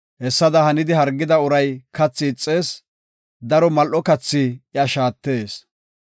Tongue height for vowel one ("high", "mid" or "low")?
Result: mid